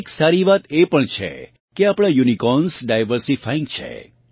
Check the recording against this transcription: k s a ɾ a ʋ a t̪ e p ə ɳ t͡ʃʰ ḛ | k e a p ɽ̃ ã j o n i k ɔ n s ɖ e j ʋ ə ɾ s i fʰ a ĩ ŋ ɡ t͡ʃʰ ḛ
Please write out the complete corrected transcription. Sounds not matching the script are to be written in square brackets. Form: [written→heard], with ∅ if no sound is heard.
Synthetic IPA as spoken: k s a ɾ [a→i] ʋ a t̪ e p ə ɳ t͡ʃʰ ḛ | k e a p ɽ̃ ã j [o→u] n i k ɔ n s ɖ [e→a] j ʋ ə ɾ s i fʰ a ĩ ŋ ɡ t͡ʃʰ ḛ

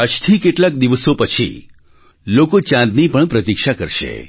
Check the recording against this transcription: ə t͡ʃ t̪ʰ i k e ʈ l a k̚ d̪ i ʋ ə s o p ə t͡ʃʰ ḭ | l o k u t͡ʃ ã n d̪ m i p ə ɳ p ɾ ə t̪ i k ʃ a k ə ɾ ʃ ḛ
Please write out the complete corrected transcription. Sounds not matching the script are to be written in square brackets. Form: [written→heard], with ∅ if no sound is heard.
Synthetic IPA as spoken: ə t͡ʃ t̪ʰ i k e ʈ l a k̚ d̪ i ʋ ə s o p ə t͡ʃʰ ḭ | l o k [u→o] t͡ʃ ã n d̪ [m→n] i p ə ɳ p ɾ ə t̪ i k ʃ a k ə ɾ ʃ ḛ

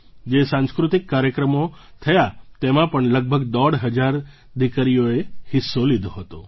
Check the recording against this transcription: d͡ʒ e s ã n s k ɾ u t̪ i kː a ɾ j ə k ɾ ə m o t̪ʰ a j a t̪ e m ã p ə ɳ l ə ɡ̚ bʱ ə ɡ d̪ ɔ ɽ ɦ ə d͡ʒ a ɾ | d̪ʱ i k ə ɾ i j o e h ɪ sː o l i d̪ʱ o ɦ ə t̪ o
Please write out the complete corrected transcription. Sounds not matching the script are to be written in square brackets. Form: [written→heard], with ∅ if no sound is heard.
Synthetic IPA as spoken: d͡ʒ e s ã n s k ɾ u t̪ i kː a ɾ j ə k ɾ ə m o t̪ʰ [a→ə] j a t̪ e m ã p ə ɳ l ə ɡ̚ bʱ ə ɡ d̪ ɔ ɽ ɦ ə d͡ʒ a ɾ | d̪ʱ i k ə ɾ i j o e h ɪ sː o l i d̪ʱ o ɦ ə t̪ o

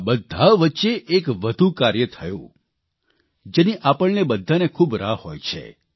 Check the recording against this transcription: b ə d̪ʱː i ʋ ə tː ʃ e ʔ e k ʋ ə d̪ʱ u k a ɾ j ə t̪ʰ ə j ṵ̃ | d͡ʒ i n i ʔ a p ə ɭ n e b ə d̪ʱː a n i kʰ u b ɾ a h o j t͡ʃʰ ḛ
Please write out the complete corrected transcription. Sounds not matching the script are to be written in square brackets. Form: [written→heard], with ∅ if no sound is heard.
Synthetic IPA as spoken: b ə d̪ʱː [i→a] ʋ ə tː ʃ e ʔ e k ʋ ə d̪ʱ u k a ɾ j ə t̪ʰ ə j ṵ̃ | d͡ʒ [i→e] n i ʔ a p ə ɭ n e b ə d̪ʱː a n [i→e] kʰ u b ɾ a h o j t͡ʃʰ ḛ

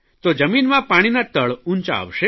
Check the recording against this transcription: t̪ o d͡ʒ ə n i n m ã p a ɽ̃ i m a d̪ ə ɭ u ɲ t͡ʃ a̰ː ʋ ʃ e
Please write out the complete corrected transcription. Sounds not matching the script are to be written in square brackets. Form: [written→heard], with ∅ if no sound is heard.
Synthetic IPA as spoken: t̪ o d͡ʒ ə [n→m] i n m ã p a ɽ̃ i [m→n] a [d̪→t̪] ə ɭ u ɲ t͡ʃ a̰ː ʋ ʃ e

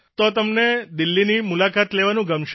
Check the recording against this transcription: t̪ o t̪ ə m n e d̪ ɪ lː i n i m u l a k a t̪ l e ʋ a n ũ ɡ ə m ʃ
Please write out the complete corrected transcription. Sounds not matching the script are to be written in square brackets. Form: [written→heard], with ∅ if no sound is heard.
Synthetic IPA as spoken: t̪ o t̪ ə m n e d̪ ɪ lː i n i m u l a k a t̪ l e ʋ a n ũ ɡ ə m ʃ

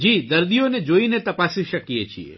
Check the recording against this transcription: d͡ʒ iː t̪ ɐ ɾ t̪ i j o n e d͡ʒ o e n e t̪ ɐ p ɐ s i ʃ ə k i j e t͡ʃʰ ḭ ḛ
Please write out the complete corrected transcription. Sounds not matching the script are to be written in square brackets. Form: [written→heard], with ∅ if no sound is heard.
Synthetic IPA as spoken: d͡ʒ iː [t̪→d̪] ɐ ɾ [t̪→d̪] i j o n e d͡ʒ o [e→i] n e t̪ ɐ p [ɐ→a] s i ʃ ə k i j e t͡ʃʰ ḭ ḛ

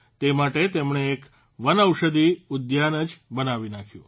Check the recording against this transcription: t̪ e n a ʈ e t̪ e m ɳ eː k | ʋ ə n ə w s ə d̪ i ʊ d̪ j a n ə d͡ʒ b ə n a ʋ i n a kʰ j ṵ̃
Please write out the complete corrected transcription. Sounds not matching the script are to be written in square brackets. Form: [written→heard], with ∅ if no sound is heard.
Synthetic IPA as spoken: t̪ e [n→m] a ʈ e t̪ e m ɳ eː k | ʋ ə n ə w [s→ʃ] ə d̪ i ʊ d̪ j a n ə d͡ʒ b ə n a ʋ i n a kʰ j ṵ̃

